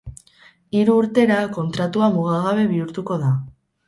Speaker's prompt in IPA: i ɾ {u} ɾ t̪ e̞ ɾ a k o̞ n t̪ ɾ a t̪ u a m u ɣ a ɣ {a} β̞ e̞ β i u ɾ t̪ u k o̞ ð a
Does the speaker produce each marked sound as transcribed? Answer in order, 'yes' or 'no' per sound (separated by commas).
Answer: no, yes